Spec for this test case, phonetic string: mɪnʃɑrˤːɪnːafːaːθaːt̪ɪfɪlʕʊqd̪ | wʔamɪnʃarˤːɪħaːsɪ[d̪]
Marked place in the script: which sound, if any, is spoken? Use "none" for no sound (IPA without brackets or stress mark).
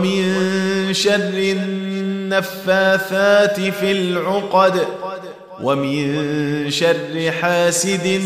d̪